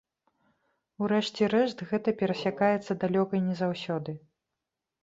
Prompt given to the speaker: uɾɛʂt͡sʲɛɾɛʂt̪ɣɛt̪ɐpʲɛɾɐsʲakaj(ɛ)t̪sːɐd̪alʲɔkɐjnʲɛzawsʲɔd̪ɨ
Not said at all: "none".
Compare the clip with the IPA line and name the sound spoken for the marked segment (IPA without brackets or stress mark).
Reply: ɛ